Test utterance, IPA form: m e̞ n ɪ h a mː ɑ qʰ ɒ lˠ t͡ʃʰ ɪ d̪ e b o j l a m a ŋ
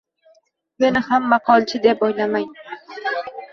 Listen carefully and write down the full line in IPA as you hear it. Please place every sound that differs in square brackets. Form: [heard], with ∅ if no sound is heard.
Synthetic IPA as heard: m e̞ n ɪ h a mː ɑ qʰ ɒ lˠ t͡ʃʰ ɪ d̪ e [p] o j l a m a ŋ